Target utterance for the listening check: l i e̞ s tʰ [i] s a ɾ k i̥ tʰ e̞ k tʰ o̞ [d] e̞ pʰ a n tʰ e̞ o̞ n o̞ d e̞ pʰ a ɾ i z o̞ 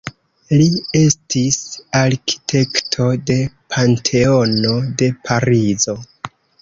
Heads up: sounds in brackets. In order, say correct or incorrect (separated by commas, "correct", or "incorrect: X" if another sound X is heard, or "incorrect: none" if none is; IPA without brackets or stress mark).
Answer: correct, correct